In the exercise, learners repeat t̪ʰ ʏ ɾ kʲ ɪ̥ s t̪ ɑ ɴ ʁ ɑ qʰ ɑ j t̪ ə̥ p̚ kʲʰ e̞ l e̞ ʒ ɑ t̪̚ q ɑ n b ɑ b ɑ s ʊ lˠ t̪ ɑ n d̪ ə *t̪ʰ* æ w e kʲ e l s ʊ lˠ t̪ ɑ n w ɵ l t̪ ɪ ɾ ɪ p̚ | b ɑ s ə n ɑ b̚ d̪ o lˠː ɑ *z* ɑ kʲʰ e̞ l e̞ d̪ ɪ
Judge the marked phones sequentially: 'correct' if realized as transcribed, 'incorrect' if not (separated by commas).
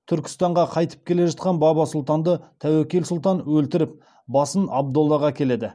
correct, incorrect